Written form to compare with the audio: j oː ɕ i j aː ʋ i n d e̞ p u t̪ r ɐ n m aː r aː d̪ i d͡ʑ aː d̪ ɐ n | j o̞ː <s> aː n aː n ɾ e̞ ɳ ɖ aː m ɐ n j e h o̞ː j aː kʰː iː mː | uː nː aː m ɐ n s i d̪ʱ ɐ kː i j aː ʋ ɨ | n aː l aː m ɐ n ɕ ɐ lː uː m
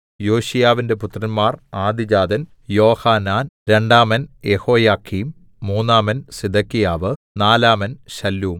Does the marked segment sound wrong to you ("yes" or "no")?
yes